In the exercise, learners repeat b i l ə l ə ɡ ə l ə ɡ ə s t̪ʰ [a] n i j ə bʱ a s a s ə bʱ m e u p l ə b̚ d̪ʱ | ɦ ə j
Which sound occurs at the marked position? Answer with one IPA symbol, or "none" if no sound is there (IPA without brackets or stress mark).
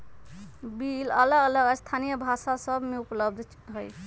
a